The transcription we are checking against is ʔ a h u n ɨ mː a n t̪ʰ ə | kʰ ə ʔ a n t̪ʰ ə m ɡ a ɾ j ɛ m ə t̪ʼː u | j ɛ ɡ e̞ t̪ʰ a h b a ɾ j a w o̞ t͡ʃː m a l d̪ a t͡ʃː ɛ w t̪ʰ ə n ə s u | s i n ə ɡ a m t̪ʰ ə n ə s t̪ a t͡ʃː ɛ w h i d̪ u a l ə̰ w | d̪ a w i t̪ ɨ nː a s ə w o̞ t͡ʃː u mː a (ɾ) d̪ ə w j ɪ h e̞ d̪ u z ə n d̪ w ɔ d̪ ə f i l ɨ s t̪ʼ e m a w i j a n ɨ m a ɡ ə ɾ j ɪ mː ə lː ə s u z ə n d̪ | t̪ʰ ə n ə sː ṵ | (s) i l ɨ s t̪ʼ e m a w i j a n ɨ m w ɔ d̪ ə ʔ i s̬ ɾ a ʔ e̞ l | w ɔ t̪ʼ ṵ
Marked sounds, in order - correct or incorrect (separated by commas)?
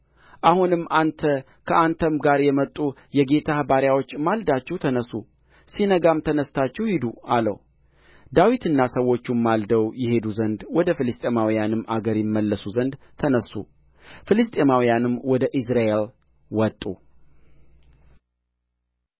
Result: incorrect, incorrect